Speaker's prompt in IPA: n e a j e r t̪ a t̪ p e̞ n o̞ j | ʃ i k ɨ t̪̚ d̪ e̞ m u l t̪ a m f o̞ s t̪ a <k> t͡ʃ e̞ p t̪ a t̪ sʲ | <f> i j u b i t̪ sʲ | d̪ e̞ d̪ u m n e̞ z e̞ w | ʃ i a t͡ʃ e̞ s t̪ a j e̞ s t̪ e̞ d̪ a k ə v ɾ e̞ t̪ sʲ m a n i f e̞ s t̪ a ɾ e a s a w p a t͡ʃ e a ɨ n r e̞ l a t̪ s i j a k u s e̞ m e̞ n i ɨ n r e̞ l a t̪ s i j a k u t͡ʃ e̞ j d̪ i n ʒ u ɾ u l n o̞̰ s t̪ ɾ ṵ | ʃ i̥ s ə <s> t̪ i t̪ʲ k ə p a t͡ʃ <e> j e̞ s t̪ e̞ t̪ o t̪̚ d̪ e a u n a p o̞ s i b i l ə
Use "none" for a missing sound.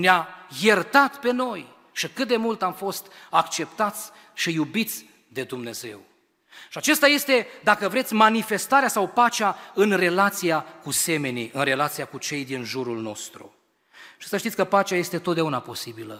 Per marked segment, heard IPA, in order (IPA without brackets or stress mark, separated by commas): k, ʃ, ʃ, a